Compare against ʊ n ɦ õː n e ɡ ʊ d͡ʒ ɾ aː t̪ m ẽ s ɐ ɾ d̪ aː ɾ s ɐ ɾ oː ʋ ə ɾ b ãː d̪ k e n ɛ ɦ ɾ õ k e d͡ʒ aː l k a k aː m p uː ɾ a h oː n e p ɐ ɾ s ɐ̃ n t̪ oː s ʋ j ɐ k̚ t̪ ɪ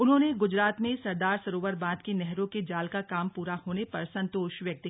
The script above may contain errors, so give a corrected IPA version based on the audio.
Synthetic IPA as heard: ʊ n ɦ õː n e ɡ ʊ d͡ʒ ɾ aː t̪ m ẽ s ɐ ɾ d̪ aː ɾ s ɐ ɾ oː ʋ ə ɾ b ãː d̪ k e n ɛ ɦ ɾ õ k e d͡ʒ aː l k a k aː m p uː ɾ a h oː n e p ɐ ɾ s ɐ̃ n t̪ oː ʃ ʋ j ɐ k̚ t̪ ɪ